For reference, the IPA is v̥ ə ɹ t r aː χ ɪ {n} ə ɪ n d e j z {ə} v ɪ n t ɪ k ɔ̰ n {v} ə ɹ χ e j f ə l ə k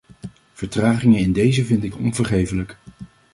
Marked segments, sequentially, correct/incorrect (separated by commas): incorrect, correct, correct